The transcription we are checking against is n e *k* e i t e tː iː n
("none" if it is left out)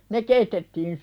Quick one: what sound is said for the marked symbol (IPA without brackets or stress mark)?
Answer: k